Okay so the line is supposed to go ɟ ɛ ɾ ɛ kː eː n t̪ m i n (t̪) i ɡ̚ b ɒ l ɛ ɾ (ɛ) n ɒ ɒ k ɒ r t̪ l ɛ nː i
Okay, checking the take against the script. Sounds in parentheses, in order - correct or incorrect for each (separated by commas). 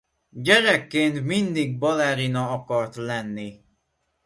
incorrect, incorrect